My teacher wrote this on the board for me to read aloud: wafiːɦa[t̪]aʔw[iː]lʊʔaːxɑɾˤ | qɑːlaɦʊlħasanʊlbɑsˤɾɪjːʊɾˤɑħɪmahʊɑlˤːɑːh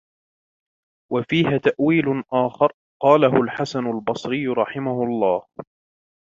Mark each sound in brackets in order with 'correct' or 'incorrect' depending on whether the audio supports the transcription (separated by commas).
correct, correct